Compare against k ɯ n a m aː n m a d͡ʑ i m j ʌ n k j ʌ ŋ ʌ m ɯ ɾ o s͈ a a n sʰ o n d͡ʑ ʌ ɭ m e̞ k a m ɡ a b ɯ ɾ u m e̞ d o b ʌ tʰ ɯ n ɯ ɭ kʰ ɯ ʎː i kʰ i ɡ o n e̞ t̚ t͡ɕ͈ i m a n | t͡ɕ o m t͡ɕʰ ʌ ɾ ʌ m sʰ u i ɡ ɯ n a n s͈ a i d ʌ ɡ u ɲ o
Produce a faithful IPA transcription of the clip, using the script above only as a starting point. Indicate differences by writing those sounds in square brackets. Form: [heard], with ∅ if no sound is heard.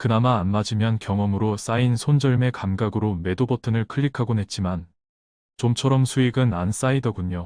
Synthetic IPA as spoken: k ɯ n a m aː n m a d͡ʑ i m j ʌ n k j ʌ ŋ ʌ m ɯ ɾ o s͈ a [i] n sʰ o n d͡ʑ ʌ ɭ m e̞ k a m ɡ a [ɡ] ɯ ɾ [o] m e̞ d o b ʌ tʰ ɯ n ɯ ɭ kʰ ɯ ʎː i kʰ [a] ɡ o n e̞ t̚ t͡ɕ͈ i m a n | t͡ɕ o m t͡ɕʰ ʌ ɾ ʌ m sʰ u i ɡ ɯ n a n s͈ a i d ʌ ɡ u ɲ o

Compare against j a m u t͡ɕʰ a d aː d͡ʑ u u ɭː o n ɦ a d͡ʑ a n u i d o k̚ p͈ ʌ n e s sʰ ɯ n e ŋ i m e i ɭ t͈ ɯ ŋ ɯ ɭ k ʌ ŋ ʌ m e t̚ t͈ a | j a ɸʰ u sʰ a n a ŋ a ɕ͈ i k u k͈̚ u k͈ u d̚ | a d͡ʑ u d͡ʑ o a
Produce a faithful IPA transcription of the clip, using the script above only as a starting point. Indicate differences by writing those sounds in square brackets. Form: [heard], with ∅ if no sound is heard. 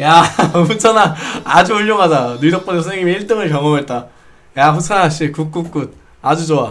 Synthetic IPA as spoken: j a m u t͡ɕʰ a [n] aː d͡ʑ u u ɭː o [ŋ] ɦ a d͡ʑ a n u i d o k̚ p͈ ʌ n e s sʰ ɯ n e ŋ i m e i ɭ t͈ ɯ ŋ ɯ ɭ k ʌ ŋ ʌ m e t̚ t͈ a | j a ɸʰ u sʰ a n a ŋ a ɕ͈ i k u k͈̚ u k͈ u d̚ | a d͡ʑ u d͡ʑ o a

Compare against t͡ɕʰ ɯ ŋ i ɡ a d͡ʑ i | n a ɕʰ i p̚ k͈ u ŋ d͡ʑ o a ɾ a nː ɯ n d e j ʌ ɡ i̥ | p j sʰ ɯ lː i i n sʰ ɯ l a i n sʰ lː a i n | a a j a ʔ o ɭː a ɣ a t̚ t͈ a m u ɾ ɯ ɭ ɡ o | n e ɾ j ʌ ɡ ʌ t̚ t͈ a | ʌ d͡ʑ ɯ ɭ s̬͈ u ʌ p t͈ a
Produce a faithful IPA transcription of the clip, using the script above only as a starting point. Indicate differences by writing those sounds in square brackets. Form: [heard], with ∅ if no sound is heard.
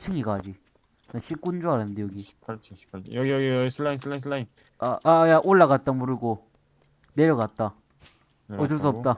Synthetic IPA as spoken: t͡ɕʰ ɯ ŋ i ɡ a d͡ʑ i | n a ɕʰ i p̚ k͈ u [n] d͡ʑ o a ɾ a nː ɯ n d e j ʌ ɡ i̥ | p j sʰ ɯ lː [a] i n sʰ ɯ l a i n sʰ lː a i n | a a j a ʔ o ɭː a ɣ a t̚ t͈ a m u ɾ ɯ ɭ ɡ o | n e ɾ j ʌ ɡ [a] t̚ t͈ a | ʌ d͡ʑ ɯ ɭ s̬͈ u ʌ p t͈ a

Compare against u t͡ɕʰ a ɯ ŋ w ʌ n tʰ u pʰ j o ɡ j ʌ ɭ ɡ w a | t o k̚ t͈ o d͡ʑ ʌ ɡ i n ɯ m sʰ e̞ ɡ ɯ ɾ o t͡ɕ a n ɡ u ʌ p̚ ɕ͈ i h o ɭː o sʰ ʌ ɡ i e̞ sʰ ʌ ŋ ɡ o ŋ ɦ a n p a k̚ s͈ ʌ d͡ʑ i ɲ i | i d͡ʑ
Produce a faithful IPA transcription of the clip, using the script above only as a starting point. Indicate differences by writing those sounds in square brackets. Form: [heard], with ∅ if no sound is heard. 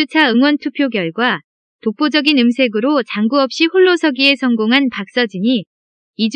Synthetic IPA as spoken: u t͡ɕʰ a ɯ ŋ w ʌ n tʰ u pʰ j o ɡ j ʌ ɭ ɡ w a | t o k̚ [p͈] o d͡ʑ ʌ ɡ i n ɯ m sʰ e̞ ɡ ɯ ɾ o t͡ɕ a [ŋ] ɡ u ʌ p̚ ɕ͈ i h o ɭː o sʰ ʌ ɡ i e̞ sʰ ʌ ŋ ɡ o ŋ ɦ a n p a k̚ s͈ ʌ d͡ʑ i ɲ i | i d͡ʑ

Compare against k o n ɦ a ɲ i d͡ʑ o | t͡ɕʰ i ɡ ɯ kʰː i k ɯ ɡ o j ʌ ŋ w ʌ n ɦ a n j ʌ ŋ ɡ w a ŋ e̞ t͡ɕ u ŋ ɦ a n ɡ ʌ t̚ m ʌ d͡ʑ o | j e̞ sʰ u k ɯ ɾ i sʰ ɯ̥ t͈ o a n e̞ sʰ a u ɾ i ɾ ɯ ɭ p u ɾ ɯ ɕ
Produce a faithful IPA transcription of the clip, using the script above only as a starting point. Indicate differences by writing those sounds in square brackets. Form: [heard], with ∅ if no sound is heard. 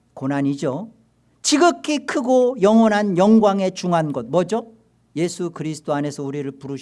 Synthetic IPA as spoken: k o n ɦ a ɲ i d͡ʑ o | [t͡ɕ] i ɡ ɯ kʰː i [kʰ] ɯ ɡ o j ʌ ŋ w ʌ n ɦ a n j ʌ ŋ ɡ w a ŋ e̞ t͡ɕ u ŋ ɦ a n ɡ ʌ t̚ m ʌ d͡ʑ o | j e̞ sʰ u k ɯ ɾ i sʰ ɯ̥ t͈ o a n e̞ sʰ [ʌ] u ɾ i ɾ ɯ ɭ p u ɾ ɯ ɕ

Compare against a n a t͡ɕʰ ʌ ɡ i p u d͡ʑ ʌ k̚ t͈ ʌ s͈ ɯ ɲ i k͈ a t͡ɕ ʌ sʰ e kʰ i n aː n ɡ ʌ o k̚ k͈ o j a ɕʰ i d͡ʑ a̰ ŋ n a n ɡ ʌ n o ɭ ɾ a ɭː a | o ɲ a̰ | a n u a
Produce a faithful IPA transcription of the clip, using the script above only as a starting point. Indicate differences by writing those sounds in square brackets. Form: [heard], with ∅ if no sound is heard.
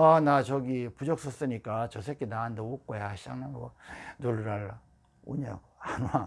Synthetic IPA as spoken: a n a [t͡ɕ] ʌ ɡ i p u d͡ʑ ʌ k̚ [s͈] ʌ s͈ ɯ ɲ i k͈ a t͡ɕ ʌ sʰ e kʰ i n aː n [d] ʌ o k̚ k͈ o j a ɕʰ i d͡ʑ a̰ ŋ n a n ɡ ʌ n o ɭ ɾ a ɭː a | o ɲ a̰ | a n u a

